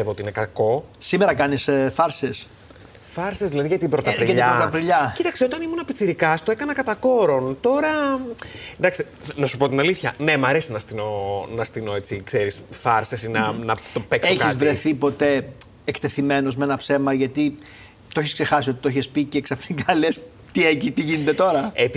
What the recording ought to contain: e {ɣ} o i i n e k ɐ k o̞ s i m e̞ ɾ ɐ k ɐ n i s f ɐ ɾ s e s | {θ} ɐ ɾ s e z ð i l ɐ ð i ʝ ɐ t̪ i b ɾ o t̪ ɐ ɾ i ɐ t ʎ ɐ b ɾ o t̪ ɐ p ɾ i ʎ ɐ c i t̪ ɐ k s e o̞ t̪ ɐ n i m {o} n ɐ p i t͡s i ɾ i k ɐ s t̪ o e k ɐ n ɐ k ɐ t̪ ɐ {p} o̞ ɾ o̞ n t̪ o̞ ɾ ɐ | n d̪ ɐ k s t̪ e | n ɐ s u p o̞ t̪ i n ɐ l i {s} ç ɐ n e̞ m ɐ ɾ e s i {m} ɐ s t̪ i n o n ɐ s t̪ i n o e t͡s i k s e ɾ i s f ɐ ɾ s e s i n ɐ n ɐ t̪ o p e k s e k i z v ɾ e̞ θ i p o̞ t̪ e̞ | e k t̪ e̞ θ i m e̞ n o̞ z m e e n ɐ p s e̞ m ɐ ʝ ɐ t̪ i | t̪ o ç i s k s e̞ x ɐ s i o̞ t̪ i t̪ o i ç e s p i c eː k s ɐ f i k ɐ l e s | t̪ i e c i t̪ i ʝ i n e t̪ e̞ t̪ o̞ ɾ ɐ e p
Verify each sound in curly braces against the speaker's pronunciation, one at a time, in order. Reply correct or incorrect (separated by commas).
incorrect, incorrect, incorrect, incorrect, incorrect, incorrect